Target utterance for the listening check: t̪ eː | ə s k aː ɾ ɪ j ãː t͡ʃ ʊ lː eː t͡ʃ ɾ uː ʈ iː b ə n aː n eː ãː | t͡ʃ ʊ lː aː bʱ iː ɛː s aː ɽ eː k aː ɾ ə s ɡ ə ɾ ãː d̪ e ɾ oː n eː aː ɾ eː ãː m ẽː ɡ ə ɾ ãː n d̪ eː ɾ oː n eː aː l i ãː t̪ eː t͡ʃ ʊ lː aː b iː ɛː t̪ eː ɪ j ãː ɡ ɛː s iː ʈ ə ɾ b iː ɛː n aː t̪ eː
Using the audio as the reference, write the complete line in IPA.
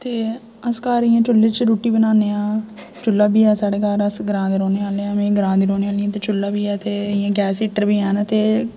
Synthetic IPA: t̪ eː | ə s k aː ɾ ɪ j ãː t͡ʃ ʊ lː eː t͡ʃ ɾ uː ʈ iː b ə n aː n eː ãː | t͡ʃ ʊ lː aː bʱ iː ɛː s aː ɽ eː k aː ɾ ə s ɡ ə ɾ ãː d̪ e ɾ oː n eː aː l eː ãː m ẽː ɡ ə ɾ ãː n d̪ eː ɾ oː n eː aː l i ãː t̪ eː t͡ʃ ʊ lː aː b iː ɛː t̪ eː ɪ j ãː ɡ ɛː s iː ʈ ə ɾ b iː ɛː n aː t̪ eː